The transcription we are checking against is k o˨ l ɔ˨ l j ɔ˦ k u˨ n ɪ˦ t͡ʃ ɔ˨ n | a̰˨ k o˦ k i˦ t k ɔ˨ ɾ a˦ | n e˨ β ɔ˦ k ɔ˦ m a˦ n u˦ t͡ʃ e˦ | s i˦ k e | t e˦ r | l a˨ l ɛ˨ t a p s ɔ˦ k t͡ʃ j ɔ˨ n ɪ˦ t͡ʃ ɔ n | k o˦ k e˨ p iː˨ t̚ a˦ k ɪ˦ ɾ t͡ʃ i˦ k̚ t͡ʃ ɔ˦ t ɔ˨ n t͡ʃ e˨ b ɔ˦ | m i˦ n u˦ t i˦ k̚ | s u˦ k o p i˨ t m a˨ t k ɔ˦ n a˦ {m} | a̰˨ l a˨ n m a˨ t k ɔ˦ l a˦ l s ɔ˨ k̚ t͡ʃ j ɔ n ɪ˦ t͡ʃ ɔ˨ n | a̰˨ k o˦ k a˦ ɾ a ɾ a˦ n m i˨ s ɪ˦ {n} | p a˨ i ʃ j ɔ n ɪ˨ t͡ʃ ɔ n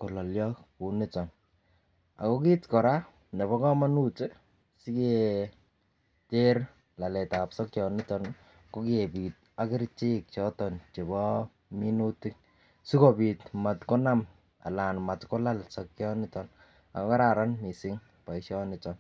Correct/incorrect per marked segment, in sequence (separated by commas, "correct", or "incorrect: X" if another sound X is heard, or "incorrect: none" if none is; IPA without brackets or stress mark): correct, incorrect: ŋ